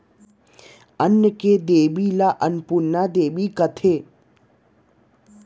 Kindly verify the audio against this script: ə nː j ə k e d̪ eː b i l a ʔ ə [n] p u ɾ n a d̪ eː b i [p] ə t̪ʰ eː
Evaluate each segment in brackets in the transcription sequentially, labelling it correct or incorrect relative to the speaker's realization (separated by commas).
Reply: correct, incorrect